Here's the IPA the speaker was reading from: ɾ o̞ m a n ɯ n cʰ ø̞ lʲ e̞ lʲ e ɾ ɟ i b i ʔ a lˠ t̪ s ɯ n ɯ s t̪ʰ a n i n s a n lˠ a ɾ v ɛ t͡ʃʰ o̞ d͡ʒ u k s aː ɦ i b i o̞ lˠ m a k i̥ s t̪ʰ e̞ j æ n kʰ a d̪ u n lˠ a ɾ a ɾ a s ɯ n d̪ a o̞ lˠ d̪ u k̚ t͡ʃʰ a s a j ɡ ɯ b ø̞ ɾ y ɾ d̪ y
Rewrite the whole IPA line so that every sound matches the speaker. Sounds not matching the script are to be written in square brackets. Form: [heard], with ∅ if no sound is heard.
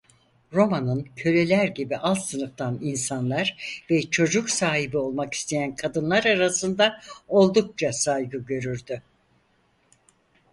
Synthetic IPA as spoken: ɾ o̞ m a n ɯ n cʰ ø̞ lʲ e̞ lʲ [æ] ɾ ɟ i b i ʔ a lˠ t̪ s ɯ n ɯ [f] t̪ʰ a n i n s a n lˠ a ɾ v ɛ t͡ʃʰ o̞ d͡ʒ u k s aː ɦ i b i o̞ lˠ m a k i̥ s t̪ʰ e̞ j æ n kʰ a d̪ [ɯ] n lˠ a ɾ a ɾ a s ɯ n d̪ a o̞ lˠ d̪ u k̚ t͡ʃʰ a s a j ɡ ɯ [ɟ] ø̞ ɾ y ɾ d̪ y